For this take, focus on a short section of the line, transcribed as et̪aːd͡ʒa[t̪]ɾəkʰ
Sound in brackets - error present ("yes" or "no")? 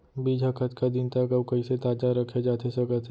yes